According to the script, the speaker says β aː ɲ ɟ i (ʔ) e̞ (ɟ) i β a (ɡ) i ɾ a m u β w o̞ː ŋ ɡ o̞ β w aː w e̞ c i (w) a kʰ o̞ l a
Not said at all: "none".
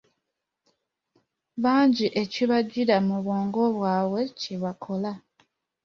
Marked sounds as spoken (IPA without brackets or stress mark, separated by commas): ʔ, c, ɟ, β